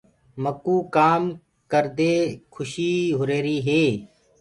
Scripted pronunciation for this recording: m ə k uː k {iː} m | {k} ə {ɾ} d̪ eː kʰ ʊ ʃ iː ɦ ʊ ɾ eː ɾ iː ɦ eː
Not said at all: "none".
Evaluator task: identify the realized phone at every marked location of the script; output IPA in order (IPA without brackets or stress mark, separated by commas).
aː, k, ɾ